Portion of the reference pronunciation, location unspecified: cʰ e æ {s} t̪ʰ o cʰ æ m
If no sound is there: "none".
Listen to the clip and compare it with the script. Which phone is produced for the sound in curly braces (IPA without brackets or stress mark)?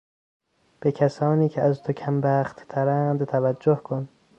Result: z